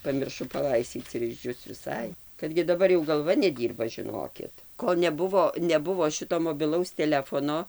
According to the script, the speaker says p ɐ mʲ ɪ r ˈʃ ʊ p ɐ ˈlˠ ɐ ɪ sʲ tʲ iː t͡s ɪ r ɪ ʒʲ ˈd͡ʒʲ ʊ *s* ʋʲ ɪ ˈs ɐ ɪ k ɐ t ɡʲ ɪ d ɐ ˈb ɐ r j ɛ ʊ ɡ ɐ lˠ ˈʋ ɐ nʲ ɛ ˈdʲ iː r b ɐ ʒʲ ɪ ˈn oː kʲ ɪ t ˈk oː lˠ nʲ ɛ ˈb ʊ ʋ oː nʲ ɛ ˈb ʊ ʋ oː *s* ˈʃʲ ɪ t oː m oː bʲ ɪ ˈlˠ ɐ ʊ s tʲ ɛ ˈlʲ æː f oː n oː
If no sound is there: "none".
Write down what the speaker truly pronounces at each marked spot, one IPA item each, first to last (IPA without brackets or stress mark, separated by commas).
s, none